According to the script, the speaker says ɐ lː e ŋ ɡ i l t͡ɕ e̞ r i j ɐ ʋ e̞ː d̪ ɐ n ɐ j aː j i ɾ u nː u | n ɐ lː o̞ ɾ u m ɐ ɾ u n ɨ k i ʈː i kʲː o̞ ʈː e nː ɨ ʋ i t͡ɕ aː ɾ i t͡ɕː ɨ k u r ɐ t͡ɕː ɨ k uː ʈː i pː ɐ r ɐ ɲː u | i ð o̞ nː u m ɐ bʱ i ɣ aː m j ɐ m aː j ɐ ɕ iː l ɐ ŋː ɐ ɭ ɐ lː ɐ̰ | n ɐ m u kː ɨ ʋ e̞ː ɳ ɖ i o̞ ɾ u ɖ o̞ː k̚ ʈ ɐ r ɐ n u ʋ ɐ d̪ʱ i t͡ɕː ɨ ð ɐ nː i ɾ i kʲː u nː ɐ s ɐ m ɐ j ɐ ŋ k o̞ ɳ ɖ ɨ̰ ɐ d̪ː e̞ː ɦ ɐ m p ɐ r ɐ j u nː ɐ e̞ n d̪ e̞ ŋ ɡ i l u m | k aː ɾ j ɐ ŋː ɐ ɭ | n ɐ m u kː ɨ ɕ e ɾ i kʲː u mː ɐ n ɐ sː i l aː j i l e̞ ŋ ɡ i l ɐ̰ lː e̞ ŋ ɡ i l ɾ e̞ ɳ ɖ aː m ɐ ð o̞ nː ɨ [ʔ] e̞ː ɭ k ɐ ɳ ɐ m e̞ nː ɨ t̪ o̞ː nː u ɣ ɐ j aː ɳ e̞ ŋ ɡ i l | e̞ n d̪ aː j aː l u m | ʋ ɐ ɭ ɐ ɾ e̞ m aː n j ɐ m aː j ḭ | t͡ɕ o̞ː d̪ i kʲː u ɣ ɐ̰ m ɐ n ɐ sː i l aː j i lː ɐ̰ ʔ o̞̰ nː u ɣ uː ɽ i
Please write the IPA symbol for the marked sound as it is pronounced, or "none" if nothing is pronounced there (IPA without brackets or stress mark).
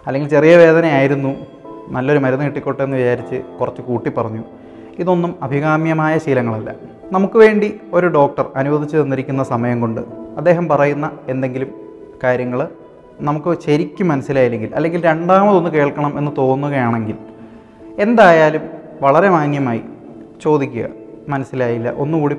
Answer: k